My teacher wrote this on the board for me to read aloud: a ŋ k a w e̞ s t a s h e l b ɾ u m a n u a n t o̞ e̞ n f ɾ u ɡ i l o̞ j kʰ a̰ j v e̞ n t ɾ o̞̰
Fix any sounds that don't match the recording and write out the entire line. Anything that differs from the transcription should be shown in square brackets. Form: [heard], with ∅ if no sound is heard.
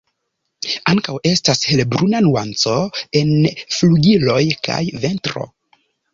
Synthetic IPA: a ŋ k a w e̞ s t a s h e l b ɾ u [n] a n u a n [t͡s] o̞ e̞ n f [l] u ɡ i l o̞ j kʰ a̰ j v e̞ n t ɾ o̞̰